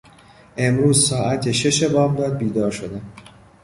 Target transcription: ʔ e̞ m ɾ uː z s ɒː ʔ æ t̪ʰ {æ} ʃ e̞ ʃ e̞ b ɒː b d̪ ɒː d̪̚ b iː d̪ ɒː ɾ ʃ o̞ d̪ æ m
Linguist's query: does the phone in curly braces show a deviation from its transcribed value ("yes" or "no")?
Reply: yes